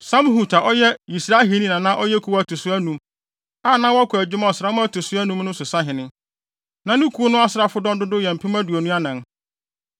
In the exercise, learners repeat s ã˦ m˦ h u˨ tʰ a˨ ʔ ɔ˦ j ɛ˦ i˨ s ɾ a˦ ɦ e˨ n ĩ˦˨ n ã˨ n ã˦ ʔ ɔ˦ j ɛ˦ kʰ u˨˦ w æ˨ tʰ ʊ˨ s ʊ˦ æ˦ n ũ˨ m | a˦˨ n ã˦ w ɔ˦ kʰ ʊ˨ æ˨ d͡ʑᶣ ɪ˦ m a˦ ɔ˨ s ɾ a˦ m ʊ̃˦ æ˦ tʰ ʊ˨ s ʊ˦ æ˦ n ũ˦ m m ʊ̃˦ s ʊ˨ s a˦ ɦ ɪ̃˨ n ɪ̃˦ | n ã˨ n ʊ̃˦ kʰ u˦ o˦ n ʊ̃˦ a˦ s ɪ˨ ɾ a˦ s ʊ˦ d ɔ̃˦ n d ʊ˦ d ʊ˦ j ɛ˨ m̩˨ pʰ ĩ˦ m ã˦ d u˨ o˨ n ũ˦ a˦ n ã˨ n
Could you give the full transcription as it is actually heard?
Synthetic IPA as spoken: s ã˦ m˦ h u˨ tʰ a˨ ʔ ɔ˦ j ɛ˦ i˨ s ɾ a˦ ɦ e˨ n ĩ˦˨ n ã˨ n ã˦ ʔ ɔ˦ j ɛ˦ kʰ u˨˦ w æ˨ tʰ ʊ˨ s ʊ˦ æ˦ n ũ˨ m | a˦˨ n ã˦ w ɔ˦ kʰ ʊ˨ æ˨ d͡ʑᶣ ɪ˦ m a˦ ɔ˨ s ɾ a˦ m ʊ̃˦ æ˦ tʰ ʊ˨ s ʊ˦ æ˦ n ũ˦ m n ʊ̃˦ s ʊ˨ s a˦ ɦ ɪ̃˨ n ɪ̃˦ | n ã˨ n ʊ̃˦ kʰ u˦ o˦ n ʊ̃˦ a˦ s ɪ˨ ɾ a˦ f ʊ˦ d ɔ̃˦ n d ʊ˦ d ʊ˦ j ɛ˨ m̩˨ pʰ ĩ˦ m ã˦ d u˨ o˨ n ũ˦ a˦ n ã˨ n